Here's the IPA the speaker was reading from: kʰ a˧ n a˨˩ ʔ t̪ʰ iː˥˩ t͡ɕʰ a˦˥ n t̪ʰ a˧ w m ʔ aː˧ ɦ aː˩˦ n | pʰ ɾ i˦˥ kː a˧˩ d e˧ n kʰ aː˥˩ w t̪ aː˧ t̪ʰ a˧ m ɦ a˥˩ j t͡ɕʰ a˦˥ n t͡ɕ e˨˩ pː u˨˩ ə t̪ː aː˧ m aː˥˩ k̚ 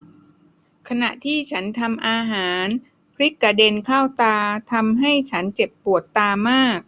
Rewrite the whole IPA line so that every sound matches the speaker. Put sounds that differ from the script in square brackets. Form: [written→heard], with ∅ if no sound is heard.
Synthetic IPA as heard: kʰ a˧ n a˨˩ ʔ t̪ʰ iː˥˩ t͡ɕʰ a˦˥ n t̪ʰ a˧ [w→∅] m ʔ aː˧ ɦ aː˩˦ n | pʰ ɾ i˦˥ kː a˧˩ d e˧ n kʰ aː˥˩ w t̪ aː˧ t̪ʰ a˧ m ɦ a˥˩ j t͡ɕʰ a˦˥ n t͡ɕ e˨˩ pː u˨˩ ə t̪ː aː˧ m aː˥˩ k̚